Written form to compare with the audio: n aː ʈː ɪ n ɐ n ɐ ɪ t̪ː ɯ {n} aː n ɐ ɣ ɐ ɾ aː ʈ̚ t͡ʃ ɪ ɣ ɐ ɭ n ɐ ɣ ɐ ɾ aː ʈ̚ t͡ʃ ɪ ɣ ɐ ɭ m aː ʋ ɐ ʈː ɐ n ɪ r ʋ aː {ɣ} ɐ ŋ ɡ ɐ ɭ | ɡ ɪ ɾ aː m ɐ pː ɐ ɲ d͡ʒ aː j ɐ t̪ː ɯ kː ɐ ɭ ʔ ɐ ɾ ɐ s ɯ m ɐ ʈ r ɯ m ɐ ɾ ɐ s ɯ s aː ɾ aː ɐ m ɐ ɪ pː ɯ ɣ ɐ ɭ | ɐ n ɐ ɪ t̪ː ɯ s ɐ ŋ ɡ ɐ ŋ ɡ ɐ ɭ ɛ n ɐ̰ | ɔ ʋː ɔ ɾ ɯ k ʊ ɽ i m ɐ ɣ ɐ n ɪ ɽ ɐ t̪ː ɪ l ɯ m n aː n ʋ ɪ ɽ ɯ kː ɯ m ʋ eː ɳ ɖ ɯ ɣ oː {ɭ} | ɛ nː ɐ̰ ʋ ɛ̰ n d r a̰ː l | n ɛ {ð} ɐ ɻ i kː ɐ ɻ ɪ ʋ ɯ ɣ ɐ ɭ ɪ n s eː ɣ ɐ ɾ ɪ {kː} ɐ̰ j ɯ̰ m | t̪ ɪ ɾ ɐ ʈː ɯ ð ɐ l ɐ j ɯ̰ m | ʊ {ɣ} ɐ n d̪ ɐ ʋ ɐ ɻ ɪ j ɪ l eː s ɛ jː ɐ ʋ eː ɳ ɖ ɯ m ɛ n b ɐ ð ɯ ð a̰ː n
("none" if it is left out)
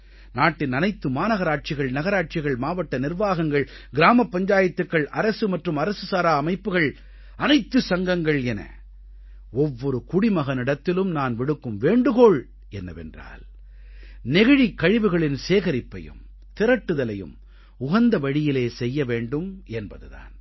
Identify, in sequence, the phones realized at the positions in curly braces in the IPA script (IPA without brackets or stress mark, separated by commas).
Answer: m, ɣ, ɭ, ɣ, pː, ɣ